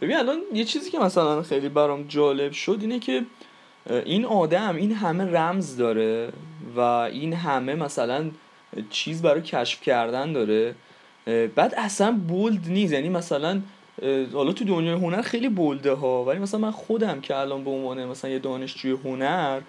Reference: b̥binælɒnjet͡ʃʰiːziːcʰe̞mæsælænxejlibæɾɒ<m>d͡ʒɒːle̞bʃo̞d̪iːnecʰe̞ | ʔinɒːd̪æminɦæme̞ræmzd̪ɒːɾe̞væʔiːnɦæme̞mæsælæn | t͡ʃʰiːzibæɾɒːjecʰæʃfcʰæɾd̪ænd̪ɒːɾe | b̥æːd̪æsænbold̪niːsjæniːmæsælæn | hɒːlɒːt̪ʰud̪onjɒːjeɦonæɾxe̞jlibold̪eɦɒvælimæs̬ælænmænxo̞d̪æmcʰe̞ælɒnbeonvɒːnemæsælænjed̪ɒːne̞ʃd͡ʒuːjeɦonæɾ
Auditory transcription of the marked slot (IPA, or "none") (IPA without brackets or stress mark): m